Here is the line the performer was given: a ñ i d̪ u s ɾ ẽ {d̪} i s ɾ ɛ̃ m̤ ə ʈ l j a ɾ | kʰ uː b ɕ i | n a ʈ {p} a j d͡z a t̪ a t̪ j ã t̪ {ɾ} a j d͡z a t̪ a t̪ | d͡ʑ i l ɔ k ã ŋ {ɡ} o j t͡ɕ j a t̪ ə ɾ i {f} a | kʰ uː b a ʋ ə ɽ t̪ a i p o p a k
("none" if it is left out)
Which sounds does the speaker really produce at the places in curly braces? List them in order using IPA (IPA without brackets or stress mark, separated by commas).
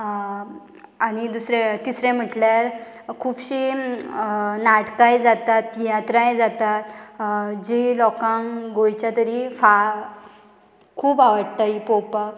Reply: t̪, k, ɾ, ɡ, f